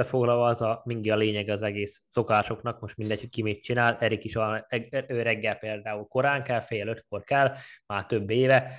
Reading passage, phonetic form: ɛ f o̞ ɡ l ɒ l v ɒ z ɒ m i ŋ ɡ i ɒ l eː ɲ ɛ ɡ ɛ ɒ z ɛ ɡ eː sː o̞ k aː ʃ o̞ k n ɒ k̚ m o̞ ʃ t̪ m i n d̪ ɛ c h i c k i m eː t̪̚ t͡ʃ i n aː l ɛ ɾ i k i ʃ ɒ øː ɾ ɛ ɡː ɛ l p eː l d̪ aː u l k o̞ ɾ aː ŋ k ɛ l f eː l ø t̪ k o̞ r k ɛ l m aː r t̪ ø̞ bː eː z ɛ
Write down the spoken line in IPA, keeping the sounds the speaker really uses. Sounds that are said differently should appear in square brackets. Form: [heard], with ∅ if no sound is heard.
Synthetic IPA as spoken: ɛ f o̞ ɡ l ɒ l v ɒ z ɒ m i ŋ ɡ i ɒ l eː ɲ ɛ ɡ ɛ ɒ z ɛ ɡ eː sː o̞ k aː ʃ o̞ k n ɒ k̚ m o̞ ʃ t̪ m i n d̪ ɛ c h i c k i m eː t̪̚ t͡ʃ i n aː l ɛ ɾ i k i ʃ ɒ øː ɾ ɛ ɡː ɛ l p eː l d̪ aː u l k o̞ ɾ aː ŋ k ɛ l f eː l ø t̪ k o̞ r k ɛ l m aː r t̪ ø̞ bː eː [v] ɛ